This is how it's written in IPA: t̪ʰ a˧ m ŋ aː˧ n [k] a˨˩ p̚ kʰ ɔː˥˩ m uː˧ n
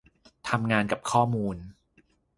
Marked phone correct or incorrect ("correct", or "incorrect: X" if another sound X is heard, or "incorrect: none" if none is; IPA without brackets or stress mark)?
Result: correct